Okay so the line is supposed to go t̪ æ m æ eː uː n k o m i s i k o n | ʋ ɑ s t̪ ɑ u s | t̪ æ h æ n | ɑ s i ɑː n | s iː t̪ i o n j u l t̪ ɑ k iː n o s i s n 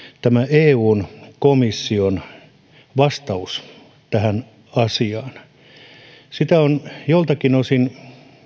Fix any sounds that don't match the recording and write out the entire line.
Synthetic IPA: t̪ æ m æ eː uː n k o m i sː i o n | ʋ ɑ s t̪ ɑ u s | t̪ æ h æ n | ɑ s i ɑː n | s i t̪ æ o n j o l t̪ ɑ k i n o s i n